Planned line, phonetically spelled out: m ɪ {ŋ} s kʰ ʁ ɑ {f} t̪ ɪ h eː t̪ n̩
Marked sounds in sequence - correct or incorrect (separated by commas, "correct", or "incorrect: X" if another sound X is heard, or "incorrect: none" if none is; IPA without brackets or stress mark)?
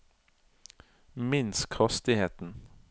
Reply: incorrect: n, incorrect: s